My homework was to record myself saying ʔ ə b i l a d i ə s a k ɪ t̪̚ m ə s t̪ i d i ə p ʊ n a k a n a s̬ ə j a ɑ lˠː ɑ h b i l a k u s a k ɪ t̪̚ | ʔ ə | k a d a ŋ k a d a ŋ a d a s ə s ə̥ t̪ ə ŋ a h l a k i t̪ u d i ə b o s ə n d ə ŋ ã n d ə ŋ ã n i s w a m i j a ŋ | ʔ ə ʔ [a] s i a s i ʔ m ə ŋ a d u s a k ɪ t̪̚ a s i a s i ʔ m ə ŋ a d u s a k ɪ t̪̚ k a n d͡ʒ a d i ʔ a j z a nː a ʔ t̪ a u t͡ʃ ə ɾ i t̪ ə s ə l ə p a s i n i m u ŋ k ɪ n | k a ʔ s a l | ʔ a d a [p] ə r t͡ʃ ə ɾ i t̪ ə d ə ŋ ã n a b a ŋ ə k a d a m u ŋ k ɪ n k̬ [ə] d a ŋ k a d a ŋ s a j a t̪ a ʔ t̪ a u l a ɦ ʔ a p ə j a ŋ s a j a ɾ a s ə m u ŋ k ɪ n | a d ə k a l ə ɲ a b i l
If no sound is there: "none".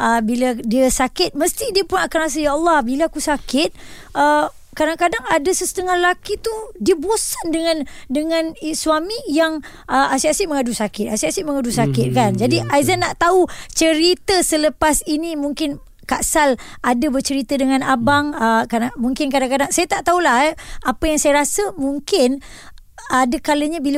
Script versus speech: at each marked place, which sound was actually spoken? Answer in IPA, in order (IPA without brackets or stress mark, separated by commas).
a, b, a